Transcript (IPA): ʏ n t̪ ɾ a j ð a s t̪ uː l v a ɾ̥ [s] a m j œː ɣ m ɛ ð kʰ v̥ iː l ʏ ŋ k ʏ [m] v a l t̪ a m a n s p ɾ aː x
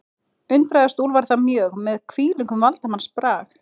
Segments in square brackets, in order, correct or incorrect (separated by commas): incorrect, correct